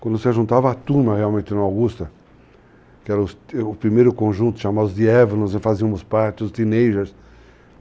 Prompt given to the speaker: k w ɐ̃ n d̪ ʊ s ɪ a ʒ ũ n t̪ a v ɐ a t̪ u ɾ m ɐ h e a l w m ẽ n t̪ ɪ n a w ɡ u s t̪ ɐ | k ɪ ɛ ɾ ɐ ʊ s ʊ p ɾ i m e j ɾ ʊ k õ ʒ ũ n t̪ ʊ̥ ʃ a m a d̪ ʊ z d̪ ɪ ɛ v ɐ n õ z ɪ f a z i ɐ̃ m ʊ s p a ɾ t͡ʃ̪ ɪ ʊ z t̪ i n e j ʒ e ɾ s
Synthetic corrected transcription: k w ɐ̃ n d̪ ʊ s ɪ a ʒ ũ n t̪ a v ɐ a t̪ u ɾ m ɐ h e a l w m ẽ n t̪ ɪ n a w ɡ u s t̪ ɐ | k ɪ ɛ ɾ ɐ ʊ s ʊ p ɾ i m e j ɾ ʊ k õ ʒ ũ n t̪ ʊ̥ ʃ a m a d̪ ʊ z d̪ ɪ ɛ v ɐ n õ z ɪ f a z i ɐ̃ m ʊ s p a ɾ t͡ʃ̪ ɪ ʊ s t̪ i n e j ʒ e ɾ s

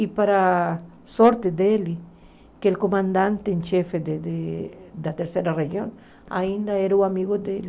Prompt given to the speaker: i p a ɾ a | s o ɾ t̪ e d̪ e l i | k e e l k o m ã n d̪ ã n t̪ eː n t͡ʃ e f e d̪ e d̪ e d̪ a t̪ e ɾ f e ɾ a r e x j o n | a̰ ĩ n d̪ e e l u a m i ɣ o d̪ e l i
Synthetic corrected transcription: i p a ɾ a | s o ɾ t̪ e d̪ e l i | k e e l k o m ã n d̪ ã n t̪ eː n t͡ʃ e f e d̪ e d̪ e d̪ a t̪ e ɾ s e ɾ a r e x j o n | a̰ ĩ n d̪ a e ɾ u a m i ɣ o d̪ e l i

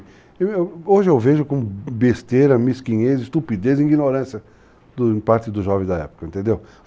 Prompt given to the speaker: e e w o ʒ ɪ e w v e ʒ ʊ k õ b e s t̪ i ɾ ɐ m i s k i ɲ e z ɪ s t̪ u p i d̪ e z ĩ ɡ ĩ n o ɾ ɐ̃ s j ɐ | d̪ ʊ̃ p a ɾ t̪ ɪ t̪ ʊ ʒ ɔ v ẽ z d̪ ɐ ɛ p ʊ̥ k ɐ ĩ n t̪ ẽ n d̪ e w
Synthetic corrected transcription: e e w o ʒ ɪ e w v e ʒ ʊ k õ b e s t̪ e ɾ ɐ m i s k i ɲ e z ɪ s t̪ u p i d̪ e z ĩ ɡ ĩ n o ɾ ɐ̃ s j ɐ | d̪ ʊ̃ p a ɾ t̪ ɪ d̪ ʊ ʒ ɔ v ẽ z d̪ ɐ ɛ p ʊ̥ k ɐ ẽ n t̪ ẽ n d̪ e w

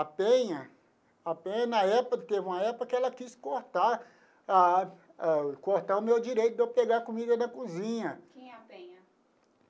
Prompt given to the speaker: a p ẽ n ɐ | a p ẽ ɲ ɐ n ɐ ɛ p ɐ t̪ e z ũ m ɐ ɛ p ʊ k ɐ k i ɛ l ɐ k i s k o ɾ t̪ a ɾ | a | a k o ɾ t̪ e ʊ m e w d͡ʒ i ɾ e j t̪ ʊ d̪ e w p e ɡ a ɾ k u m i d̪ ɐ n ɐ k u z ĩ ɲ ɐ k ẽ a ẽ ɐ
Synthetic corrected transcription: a p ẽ ɲ ɐ | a p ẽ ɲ ɐ n ɐ ɛ p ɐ t̪ e v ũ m ɐ ɛ p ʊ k ɐ k ɪ ɛ l ɐ k i s k o ɾ t̪ a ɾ | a | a k o ɾ t̪ a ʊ m e w d͡ʒ i ɾ e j t̪ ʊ d̪ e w p e ɡ a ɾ k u m i d̪ ɐ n ɐ k u z ĩ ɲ ɐ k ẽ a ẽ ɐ

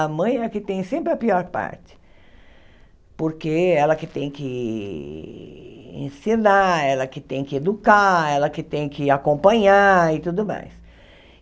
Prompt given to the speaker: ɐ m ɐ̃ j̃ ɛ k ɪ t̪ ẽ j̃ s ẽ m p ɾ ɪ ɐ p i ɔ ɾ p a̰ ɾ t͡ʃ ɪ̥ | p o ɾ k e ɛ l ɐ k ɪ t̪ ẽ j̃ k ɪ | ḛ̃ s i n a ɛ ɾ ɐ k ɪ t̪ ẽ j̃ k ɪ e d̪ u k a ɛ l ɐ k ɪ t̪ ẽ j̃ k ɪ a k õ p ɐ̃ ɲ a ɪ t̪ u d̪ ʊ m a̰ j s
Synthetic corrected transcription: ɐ m ɐ̃ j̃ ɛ k ɪ t̪ ẽ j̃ s ẽ m p ɾ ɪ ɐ p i ɔ ɾ p a̰ ɾ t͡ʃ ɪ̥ | p o ɾ k e ɛ l ɐ k ɪ t̪ ẽ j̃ k ɪ | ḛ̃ s i n a ɛ l ɐ k ɪ t̪ ẽ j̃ k ɪ e d̪ u k a ɛ l ɐ k ɪ t̪ ẽ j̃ k ɪ a k õ p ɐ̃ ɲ a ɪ t̪ u d̪ ʊ m a̰ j s

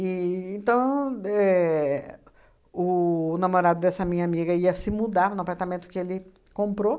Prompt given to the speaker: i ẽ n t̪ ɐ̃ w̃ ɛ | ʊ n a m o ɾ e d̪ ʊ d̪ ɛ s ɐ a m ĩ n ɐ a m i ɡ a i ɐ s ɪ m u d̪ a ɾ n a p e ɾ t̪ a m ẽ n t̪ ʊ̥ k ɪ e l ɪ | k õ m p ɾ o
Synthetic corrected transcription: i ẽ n t̪ ɐ̃ w̃ ɛ | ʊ n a m o ɾ a d̪ ʊ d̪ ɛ s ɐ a m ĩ ɲ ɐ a m i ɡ ɐ i ɐ s ɪ m u d̪ a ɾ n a p a ɾ t̪ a m ẽ n t̪ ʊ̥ k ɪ e l ɪ | k õ m p ɾ o

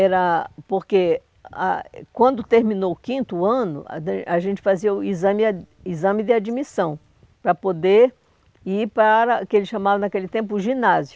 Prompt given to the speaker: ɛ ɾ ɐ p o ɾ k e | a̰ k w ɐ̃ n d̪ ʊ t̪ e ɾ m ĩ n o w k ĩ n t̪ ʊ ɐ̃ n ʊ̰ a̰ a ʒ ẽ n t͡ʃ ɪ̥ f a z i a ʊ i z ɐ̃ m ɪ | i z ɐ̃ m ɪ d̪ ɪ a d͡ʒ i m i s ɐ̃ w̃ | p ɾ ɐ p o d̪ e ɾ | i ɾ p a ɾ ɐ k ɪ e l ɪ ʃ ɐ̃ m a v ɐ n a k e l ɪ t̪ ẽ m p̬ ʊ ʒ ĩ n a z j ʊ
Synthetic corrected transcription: ɛ ɾ ɐ p o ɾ k e | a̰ k w ɐ̃ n d̪ ʊ t̪ e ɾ m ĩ n o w k ĩ n t̪ ʊ ɐ̃ n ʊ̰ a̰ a ʒ ẽ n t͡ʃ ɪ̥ f a z i ɐ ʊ i z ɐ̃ m ɪ | i z ɐ̃ m ɪ d̪ ɪ a d͡ʒ i m i s ɐ̃ w̃ | p ɾ ɐ p o d̪ e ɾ | i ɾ p a ɾ ɐ k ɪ e l ɪ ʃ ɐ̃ m a v ɐ n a k e l ɪ t̪ ẽ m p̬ ʊ ʒ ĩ n a z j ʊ

